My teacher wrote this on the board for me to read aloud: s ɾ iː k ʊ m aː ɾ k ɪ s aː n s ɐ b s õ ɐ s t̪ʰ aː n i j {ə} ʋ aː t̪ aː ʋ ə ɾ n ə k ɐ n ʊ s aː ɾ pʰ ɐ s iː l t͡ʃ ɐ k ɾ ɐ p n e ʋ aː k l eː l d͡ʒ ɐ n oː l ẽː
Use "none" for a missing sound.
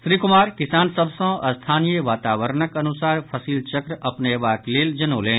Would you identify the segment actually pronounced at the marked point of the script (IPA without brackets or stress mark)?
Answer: ə